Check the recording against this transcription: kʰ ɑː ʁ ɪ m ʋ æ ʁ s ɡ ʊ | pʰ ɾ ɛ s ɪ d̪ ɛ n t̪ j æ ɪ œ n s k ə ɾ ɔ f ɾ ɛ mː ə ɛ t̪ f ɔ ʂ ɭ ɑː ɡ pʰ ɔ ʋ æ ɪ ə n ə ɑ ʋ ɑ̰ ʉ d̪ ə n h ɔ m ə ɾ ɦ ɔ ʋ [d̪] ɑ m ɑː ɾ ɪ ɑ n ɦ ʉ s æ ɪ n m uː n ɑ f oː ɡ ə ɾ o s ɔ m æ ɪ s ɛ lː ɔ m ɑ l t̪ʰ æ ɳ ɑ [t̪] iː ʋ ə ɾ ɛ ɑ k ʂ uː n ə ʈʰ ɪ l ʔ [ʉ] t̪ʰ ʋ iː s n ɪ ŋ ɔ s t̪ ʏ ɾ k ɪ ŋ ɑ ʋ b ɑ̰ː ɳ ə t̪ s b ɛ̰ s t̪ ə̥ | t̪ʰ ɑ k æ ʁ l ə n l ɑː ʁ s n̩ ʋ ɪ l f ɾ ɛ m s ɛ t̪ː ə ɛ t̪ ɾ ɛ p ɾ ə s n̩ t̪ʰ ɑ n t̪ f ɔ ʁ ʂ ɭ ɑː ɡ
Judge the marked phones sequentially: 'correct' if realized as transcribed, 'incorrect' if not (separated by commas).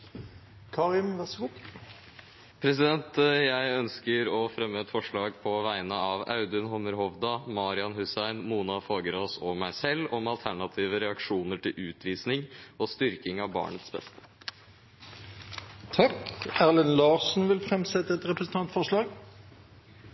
correct, incorrect, incorrect